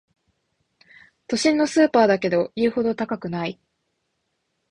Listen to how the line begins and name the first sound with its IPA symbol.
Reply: t̪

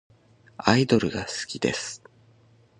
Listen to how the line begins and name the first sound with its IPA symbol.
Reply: a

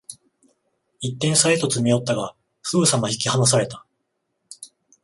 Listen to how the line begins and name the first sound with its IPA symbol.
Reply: i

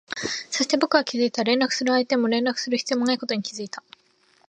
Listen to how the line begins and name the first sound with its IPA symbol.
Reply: s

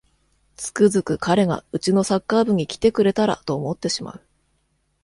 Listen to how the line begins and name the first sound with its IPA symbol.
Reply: t͡s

